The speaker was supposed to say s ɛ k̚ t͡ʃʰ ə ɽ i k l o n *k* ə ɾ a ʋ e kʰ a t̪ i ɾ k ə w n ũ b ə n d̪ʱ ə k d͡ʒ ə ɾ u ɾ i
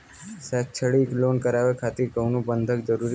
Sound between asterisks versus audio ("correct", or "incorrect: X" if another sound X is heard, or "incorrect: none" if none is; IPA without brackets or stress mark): correct